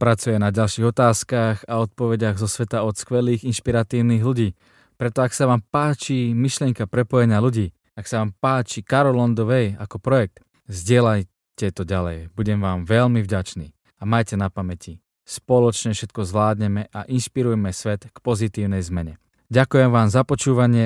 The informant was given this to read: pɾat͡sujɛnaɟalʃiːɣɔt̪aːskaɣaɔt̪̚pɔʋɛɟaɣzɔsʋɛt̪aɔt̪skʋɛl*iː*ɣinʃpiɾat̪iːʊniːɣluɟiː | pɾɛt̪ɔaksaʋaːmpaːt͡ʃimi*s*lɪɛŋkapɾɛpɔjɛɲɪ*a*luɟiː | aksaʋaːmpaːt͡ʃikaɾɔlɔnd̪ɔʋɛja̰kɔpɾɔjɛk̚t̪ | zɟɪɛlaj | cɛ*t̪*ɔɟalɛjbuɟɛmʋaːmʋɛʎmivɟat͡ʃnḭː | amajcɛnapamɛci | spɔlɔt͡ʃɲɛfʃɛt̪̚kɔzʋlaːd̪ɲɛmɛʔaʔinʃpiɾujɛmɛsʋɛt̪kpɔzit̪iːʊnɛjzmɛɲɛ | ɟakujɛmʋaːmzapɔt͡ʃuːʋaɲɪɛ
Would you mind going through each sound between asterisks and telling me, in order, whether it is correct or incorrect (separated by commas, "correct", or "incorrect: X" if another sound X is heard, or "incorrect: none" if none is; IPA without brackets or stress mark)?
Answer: correct, incorrect: ʃ, correct, correct